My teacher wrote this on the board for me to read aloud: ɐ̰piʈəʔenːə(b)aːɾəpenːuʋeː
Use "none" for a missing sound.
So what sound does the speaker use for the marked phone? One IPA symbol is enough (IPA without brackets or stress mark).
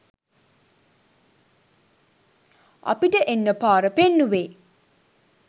p